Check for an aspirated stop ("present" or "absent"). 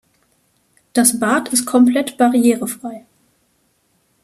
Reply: present